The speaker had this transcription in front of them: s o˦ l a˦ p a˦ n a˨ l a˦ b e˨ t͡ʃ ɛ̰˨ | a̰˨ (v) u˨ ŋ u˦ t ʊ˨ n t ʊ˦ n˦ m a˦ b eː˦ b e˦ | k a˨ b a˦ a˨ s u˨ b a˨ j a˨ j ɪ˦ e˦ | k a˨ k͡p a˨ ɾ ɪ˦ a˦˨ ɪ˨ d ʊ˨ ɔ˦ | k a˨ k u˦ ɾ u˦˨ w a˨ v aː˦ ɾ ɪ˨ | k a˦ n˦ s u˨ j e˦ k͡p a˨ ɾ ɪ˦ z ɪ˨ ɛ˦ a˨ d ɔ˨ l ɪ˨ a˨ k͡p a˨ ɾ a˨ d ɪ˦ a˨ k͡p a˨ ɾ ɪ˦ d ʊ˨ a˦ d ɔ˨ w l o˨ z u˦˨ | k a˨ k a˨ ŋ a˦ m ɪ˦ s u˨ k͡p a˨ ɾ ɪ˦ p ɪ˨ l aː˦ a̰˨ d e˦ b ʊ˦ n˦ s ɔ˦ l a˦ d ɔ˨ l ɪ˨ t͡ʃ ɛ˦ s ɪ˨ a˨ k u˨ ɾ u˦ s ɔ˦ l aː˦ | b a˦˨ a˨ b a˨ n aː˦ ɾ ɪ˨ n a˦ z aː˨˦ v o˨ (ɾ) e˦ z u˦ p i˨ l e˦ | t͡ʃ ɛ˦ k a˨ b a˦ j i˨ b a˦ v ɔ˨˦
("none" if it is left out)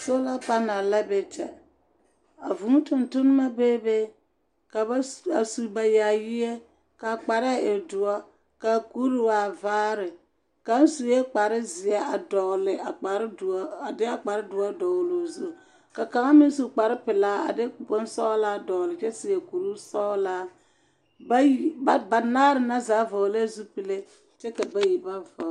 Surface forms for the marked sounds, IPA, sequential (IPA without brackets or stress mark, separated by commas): v, l